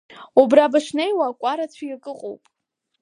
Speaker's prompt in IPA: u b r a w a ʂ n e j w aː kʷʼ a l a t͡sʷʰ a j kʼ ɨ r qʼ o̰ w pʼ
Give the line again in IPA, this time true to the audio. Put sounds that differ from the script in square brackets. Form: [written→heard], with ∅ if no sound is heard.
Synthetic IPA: u b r a [w→b] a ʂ n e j w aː kʷʼ a [l→ɾ] a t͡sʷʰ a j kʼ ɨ [r→∅] qʼ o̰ w pʼ